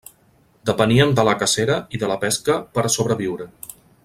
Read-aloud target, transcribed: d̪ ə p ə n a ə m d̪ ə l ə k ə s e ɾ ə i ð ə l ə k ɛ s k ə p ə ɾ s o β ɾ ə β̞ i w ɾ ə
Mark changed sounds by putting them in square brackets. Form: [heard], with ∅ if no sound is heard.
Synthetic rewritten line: d̪ ə p ə n [i] ə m d̪ ə l ə k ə s e ɾ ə i ð ə l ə [p] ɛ s k ə p ə ɾ s o β ɾ ə β̞ i w ɾ ə